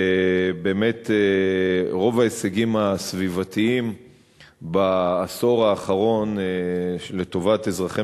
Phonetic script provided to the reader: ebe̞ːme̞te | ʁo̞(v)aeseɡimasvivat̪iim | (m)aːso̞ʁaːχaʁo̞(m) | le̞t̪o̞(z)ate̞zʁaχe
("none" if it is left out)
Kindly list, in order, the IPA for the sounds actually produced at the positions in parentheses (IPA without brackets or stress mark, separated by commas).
v, b, n, v